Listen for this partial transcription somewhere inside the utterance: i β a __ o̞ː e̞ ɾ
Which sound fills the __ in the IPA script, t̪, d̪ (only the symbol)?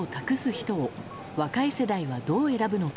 d̪